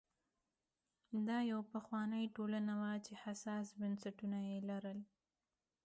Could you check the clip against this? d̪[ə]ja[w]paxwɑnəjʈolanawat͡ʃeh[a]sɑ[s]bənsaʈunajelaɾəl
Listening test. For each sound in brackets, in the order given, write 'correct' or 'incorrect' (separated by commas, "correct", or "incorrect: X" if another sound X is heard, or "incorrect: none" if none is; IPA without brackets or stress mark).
incorrect: ɑ, correct, correct, correct